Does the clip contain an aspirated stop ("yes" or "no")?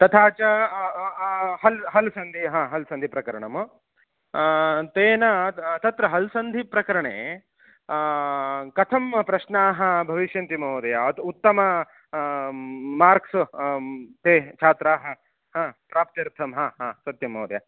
yes